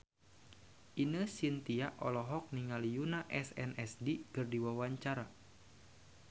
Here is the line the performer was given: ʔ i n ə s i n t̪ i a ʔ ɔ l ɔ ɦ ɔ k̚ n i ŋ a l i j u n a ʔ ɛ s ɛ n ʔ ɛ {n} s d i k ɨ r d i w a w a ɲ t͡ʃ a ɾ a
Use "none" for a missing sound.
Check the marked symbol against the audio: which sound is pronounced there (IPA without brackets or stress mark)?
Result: none